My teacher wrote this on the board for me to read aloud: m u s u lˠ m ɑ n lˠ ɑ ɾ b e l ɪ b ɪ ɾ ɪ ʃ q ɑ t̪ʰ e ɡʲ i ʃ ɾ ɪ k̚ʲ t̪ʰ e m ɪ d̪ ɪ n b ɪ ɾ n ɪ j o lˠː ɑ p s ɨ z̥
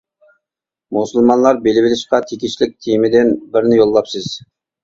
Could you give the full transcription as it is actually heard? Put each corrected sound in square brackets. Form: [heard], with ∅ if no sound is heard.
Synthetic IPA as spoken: m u s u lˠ m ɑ n lˠ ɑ ɾ b e l ɪ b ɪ [l] ɪ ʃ q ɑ t̪ʰ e [kʲ] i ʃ [l] ɪ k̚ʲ t̪ʰ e m ɪ d̪ ɪ n b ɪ ɾ n ɪ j o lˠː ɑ p s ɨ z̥